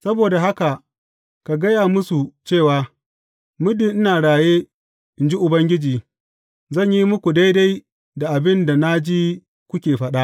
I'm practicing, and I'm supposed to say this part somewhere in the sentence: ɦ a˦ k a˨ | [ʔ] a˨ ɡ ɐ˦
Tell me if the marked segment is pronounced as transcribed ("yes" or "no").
no